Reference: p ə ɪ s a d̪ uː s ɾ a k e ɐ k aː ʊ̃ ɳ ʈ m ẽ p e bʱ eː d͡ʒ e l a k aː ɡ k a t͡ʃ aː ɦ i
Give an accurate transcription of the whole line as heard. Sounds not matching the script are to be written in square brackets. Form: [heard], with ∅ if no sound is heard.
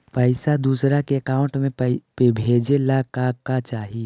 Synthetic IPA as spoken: p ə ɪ s a d̪ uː s ɾ a k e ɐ k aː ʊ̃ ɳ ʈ m ẽ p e bʱ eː d͡ʒ e l a k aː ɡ k a t͡ʃ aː ɦ i